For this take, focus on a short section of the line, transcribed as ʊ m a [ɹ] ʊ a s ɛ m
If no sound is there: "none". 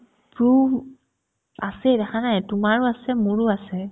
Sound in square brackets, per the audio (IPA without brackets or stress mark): ɹ